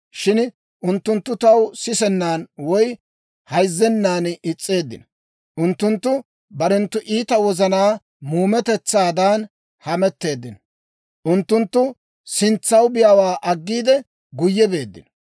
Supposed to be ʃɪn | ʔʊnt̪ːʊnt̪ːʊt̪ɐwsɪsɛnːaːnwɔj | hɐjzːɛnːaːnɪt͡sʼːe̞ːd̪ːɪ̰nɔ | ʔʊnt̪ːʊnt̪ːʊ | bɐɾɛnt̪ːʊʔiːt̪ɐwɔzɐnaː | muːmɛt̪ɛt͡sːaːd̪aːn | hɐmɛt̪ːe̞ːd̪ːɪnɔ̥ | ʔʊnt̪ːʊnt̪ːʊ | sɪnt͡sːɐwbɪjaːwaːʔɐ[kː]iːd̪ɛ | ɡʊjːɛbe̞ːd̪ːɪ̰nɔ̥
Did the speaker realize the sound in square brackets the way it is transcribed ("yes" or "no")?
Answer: no